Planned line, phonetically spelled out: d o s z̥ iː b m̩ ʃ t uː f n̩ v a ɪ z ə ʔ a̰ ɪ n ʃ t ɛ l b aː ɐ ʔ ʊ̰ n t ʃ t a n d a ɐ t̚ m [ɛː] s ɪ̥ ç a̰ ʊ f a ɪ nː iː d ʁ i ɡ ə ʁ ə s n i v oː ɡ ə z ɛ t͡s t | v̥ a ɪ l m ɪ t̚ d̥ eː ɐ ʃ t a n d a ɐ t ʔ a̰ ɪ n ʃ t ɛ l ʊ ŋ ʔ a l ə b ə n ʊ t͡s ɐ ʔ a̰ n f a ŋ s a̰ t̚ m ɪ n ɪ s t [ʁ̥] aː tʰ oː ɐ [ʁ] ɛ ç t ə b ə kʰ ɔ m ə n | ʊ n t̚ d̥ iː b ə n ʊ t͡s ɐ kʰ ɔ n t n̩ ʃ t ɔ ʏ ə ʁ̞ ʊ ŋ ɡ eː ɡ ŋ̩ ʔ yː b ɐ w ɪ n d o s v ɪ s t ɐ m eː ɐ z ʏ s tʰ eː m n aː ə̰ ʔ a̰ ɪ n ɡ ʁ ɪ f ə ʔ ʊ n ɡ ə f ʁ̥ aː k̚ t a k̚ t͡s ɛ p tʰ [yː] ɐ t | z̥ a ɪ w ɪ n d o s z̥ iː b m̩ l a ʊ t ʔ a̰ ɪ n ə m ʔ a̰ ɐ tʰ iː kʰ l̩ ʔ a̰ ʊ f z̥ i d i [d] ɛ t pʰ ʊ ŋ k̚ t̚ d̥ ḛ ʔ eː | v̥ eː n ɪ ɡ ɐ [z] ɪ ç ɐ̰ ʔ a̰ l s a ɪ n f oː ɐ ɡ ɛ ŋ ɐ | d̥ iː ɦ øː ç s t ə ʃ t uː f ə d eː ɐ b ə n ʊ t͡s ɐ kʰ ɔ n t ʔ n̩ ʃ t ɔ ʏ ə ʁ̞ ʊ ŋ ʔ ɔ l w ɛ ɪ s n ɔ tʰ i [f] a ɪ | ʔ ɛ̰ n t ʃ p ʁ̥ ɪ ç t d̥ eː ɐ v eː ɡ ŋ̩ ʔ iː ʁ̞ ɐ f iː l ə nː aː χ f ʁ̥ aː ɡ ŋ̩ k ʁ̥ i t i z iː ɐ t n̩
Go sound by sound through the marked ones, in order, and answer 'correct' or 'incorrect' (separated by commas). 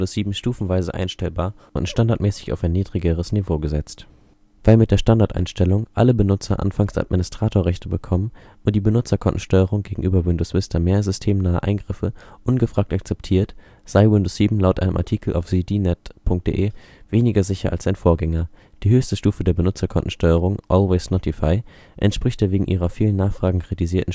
correct, correct, correct, incorrect, incorrect, correct, correct